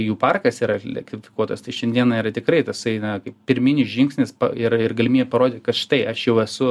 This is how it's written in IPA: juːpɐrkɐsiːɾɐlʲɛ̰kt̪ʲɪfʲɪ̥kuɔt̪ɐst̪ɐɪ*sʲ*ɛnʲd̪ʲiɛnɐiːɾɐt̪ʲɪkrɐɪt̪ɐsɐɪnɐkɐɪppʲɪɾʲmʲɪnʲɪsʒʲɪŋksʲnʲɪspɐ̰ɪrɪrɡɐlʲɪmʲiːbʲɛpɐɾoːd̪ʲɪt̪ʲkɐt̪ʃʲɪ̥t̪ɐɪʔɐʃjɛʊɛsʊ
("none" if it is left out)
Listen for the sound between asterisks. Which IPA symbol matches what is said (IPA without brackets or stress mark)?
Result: ʃʲ